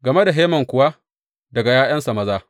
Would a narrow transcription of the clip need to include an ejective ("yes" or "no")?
no